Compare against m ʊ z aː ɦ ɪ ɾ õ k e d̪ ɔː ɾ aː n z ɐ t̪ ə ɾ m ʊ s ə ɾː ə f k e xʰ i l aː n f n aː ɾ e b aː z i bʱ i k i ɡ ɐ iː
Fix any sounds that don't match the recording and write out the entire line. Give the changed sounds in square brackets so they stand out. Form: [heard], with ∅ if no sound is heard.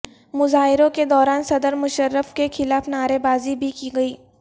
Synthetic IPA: m ʊ z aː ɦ ɪ ɾ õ k e d̪ ɔː ɾ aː n [s] ɐ [d̪] ə ɾ m ʊ [ʃ] ə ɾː ə f k e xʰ [ɪ] l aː [∅] f n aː ɾ e b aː z i bʱ i k i ɡ ɐ iː